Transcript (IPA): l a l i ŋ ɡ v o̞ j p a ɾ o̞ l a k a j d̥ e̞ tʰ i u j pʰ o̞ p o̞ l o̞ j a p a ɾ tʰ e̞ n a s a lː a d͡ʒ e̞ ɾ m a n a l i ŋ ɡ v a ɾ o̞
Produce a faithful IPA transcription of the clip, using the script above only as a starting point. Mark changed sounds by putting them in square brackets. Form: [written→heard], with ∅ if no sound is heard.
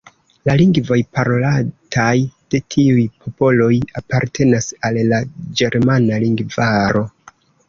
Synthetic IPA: l a l i ŋ ɡ v o̞ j p a ɾ o̞ l a [k→t] a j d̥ e̞ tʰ i u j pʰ o̞ p o̞ l o̞ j a p a ɾ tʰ e̞ n a s a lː a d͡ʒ e̞ ɾ m a n a l i ŋ ɡ v a ɾ o̞